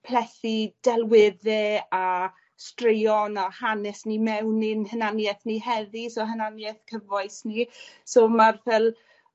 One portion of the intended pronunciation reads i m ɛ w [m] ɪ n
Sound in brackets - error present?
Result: yes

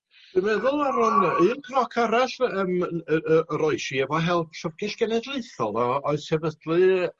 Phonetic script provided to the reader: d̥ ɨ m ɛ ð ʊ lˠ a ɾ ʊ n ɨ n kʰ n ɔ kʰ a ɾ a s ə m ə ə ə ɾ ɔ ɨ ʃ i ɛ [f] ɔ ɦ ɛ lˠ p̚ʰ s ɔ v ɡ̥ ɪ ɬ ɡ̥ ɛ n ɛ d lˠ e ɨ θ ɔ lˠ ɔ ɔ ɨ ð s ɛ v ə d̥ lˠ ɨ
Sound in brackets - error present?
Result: yes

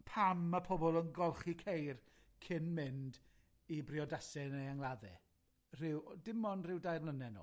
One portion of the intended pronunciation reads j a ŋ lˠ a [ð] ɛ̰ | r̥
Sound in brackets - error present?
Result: no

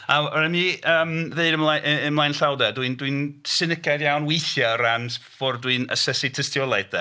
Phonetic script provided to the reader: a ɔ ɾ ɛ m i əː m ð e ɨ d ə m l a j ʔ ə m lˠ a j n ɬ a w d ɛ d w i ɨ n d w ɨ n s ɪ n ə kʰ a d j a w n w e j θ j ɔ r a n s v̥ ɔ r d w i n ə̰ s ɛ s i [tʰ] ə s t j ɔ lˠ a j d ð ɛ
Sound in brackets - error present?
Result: no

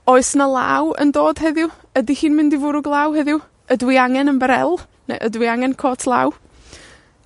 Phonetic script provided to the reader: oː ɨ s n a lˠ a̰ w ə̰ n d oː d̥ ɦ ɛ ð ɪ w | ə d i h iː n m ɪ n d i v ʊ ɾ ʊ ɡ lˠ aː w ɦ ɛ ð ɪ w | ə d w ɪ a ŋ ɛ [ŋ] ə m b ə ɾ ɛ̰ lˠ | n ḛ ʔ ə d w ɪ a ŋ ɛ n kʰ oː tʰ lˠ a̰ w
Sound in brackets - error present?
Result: yes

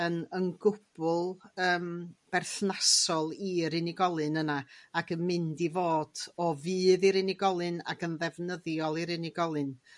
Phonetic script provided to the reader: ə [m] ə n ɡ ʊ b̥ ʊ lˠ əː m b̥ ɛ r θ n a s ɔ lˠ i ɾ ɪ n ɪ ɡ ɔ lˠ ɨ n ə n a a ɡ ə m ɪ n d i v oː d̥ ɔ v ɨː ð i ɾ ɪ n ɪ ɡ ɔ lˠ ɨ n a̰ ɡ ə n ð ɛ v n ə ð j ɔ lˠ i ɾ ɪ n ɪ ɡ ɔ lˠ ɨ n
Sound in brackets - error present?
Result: yes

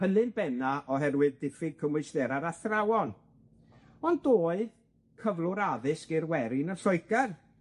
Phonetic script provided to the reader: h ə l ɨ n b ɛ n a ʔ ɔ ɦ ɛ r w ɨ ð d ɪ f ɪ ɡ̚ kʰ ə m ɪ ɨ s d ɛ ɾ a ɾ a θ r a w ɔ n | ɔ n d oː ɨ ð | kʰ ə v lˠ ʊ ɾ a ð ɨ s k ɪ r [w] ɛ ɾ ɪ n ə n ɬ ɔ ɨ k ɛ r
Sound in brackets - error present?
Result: no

